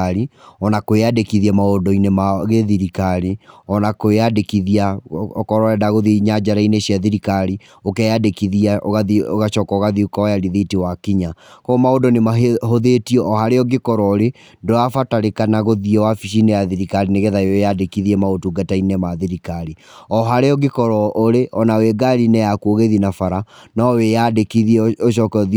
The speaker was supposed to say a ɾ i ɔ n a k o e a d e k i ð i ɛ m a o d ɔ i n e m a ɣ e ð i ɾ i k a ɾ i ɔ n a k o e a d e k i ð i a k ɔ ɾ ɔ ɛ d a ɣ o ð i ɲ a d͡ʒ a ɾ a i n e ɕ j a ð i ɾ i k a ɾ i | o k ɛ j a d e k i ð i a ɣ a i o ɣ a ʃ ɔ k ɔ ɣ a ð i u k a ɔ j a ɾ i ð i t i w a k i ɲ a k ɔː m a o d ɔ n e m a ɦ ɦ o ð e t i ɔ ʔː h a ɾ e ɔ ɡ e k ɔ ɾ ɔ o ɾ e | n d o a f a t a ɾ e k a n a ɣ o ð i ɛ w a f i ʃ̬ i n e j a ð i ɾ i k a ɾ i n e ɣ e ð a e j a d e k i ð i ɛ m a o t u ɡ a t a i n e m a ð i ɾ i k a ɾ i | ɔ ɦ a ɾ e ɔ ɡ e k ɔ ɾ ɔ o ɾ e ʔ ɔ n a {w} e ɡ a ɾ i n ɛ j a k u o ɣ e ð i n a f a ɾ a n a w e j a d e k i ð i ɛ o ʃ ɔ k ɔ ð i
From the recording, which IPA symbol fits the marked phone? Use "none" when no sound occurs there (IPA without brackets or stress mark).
w